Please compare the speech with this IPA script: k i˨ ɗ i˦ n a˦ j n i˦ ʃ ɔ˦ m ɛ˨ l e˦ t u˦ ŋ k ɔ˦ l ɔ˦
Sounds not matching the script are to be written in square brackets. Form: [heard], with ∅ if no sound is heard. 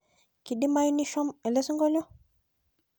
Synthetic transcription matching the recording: k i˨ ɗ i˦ [m] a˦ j n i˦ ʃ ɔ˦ m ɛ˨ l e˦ [s] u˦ ŋ [ɡ] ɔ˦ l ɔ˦